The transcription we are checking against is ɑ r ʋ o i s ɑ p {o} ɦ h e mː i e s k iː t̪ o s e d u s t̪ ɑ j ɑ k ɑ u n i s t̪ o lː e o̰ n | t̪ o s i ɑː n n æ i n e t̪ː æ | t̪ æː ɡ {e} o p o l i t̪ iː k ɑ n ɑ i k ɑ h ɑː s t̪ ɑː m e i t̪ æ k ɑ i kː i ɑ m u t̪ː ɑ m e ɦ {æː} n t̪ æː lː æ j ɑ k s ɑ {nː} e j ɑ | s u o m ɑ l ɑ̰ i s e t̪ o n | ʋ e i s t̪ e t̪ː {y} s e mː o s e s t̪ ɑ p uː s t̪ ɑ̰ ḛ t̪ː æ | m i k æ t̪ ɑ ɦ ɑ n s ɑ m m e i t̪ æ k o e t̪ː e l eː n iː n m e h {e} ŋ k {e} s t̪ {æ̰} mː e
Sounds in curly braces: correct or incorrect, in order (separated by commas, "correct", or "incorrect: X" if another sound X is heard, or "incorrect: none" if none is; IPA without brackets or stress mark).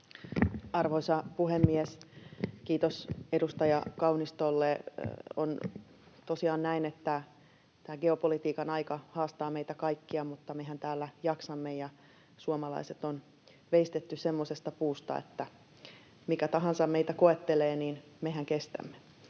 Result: incorrect: u, correct, incorrect: æ, incorrect: mː, correct, incorrect: æ, correct, correct